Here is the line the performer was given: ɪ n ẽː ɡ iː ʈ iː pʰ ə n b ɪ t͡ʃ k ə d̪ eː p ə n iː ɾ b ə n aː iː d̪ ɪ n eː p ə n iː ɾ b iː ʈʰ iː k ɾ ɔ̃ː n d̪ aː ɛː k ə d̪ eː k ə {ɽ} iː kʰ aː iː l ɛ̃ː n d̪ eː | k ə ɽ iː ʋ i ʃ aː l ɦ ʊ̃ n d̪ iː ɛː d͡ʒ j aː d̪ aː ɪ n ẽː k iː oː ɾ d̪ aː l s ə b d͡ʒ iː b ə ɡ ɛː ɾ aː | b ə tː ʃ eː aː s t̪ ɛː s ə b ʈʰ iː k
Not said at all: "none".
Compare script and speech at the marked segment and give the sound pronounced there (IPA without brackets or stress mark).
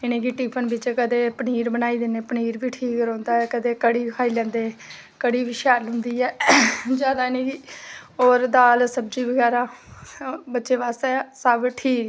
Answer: ɽ